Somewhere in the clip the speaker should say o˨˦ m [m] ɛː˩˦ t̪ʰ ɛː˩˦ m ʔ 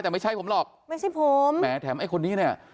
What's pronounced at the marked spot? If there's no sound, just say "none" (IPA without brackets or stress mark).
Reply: m